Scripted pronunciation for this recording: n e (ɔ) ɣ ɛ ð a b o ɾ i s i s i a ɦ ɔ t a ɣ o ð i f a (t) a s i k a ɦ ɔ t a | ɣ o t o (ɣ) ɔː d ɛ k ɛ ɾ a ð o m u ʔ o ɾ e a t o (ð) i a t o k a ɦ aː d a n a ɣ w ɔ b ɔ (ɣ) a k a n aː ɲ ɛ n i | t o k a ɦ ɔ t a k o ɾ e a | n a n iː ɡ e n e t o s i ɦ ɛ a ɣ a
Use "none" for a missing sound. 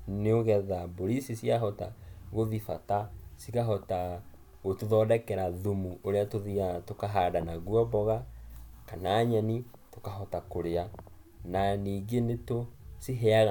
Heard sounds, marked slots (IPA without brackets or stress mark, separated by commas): o, t, ð, ð, ɣ